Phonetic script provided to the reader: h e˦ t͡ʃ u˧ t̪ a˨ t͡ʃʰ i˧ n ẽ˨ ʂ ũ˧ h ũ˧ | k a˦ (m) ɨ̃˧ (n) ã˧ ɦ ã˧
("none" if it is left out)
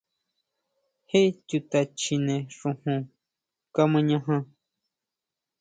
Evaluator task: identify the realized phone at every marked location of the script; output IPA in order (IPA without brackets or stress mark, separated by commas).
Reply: m, ɲ